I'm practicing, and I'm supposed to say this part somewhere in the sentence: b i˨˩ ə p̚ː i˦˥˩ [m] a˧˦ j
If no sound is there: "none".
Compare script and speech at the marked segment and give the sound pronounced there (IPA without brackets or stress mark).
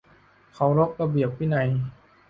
n